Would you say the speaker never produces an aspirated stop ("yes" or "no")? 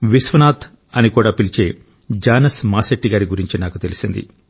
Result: yes